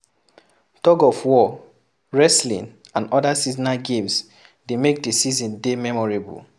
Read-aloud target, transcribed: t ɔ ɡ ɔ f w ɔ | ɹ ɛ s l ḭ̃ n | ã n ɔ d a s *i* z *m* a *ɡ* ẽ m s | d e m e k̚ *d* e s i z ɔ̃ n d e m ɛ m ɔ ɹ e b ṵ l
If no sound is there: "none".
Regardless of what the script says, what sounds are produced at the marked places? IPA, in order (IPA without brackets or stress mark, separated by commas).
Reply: i, n, ɡ, d